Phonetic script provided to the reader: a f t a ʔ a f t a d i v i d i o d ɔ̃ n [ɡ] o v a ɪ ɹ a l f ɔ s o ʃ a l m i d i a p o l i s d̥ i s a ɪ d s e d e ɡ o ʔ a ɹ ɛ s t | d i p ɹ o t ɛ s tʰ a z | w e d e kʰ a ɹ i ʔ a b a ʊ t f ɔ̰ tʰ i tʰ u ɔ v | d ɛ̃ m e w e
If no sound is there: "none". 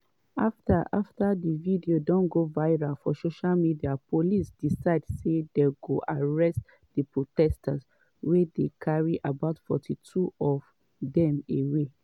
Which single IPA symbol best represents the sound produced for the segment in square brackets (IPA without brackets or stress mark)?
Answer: ɡ